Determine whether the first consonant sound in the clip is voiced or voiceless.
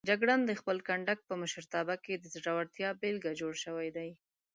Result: voiced